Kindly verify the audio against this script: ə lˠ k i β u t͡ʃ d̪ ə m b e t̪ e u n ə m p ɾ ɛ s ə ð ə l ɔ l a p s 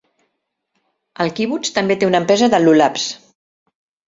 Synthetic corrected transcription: ə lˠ k i β u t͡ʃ t̪ ə m b e t̪ e u n ə m p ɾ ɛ z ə ð ə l u l a p s

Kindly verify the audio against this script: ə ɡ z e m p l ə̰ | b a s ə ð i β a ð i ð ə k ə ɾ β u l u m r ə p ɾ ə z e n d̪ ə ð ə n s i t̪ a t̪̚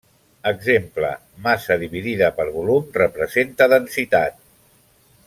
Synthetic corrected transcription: ə ɡ z e m p l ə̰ | m a s ə ð i β i ð i ð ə p ə ɾ β u l u m r ə p ɾ ə z e n t̪ ə ð ə n s i t̪ a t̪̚

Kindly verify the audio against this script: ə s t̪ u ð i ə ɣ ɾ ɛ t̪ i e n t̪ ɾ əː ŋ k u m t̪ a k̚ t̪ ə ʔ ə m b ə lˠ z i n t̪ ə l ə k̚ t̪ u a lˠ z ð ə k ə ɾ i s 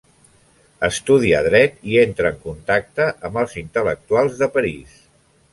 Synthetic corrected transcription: ə s t̪ u ð i ə ð ɾ ɛ t̪ i e n t̪ ɾ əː ŋ k u n t̪ a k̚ t̪ ə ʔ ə m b ə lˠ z i n t̪ ə l ə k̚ t̪ u a lˠ z ð ə p ə ɾ i s

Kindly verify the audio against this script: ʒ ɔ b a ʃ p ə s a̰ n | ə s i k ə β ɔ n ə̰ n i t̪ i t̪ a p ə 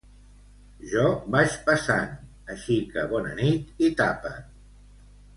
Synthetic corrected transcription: ʒ ɔ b a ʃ p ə s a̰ n | ə ʃ i k ə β ɔ n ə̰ n i t̪ i t̪ a p ə

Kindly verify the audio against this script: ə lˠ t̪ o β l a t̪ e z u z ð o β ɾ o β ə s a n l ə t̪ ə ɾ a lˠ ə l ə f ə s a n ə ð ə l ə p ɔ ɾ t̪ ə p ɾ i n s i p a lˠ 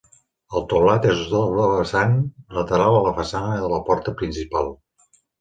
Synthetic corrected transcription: ə lˠ t̪ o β l a t̪ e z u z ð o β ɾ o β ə s a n l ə t̪ ə ɾ a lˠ ə l ə f ə s a n ə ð ə l ə p ɔ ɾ t̪ ə p ɾ i n s i p a lˠ

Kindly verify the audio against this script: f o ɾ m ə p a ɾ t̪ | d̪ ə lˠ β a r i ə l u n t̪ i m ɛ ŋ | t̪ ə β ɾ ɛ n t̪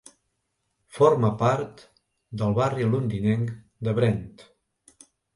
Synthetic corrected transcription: f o ɾ m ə p a ɾ t̪ | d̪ ə lˠ β a r i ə l u n d̪ i n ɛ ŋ | d̪ ə β ɾ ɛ n t̪

